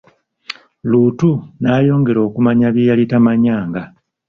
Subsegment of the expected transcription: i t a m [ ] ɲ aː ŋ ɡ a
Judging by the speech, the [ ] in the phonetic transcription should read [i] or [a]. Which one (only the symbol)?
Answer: a